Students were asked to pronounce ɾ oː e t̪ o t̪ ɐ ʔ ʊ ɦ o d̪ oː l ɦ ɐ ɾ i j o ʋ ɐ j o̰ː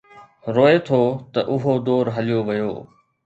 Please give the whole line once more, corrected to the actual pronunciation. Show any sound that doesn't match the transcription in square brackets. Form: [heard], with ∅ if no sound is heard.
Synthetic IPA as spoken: ɾ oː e [t̪ʰ] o t̪ ɐ ʔ ʊ ɦ o d̪ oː [ɾ] ɦ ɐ [l] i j o ʋ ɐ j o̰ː